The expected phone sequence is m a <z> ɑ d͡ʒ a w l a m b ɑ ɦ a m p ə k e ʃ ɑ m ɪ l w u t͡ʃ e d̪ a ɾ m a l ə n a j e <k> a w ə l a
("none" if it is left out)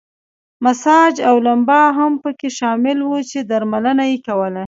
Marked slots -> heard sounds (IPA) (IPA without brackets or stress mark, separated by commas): s, k